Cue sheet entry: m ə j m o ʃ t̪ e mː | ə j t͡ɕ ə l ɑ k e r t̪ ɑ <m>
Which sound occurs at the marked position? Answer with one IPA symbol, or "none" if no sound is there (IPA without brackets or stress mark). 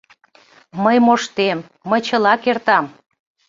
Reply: m